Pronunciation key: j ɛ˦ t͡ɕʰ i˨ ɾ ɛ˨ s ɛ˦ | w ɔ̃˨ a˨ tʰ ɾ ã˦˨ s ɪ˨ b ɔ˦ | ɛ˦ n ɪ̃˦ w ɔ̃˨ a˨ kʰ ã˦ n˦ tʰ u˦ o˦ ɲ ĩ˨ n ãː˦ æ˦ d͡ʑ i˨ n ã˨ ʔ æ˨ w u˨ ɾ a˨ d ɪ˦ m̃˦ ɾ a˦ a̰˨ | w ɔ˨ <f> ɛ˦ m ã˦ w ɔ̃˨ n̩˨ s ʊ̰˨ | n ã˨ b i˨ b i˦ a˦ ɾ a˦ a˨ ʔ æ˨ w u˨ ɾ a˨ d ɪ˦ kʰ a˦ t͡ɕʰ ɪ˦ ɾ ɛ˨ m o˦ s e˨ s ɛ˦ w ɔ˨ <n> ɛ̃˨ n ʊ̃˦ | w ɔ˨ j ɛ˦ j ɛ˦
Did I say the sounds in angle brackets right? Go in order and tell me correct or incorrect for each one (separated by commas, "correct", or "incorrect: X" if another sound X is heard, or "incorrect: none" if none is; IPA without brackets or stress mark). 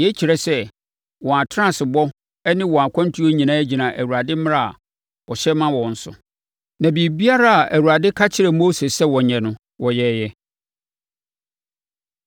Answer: incorrect: ɕ, incorrect: ɲ